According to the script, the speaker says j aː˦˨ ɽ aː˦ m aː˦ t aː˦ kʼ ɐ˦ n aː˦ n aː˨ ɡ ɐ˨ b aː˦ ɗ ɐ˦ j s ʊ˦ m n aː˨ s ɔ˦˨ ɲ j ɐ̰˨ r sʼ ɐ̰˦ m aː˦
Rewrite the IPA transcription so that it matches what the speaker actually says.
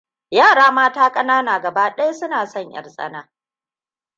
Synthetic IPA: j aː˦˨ ɽ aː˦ m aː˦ t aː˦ kʼ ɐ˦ n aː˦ n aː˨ ɡ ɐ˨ b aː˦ ɗ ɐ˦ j s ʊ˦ n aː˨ s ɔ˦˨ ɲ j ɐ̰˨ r sʼ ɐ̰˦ n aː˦